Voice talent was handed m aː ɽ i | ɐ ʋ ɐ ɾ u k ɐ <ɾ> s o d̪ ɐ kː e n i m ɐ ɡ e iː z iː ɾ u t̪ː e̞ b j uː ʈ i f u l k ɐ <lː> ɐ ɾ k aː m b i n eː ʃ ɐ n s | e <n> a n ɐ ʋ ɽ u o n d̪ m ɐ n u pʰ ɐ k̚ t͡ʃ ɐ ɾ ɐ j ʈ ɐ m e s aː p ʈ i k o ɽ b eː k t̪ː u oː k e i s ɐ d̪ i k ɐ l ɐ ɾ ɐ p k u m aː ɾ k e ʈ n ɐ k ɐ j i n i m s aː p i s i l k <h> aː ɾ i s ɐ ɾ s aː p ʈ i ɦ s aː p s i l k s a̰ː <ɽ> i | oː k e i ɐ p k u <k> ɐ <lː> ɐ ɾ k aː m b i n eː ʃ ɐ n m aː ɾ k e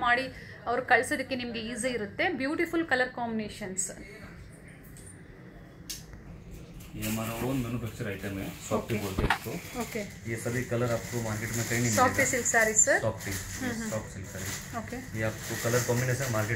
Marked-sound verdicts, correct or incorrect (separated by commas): incorrect, incorrect, incorrect, incorrect, incorrect, correct, incorrect